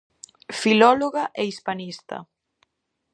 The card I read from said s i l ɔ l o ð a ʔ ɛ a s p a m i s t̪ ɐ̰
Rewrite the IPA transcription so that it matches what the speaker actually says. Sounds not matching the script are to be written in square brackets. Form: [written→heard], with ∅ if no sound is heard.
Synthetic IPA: [s→f] i l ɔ l o [ð→ɣ] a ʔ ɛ [a→i] s p a [m→n] i s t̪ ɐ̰